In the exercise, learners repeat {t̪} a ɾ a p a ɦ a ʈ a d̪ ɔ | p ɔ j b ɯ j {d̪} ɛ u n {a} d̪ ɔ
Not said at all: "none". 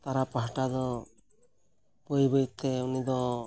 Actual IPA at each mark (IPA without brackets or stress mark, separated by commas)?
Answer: t̪, t̪, i